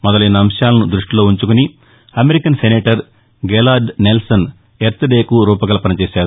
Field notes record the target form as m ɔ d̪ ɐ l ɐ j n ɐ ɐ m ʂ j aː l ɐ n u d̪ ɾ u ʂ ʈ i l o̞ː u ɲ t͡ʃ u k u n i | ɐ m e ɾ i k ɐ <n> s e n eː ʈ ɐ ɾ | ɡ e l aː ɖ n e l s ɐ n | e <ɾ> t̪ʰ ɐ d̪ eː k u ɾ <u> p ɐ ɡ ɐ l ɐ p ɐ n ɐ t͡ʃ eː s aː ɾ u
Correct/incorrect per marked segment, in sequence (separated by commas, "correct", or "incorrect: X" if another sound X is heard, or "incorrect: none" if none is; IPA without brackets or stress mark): correct, correct, incorrect: uː